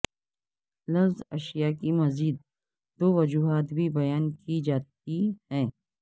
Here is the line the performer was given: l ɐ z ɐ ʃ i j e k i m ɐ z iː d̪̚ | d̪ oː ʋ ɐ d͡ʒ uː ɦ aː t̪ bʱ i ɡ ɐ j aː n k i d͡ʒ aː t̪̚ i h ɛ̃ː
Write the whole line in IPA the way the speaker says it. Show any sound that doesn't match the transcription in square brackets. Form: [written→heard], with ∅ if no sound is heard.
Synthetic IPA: l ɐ z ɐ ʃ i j [e→a] k i m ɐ z iː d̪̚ | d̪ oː ʋ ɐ d͡ʒ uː ɦ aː t̪ bʱ i [ɡ→b] ɐ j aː n k i d͡ʒ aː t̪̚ i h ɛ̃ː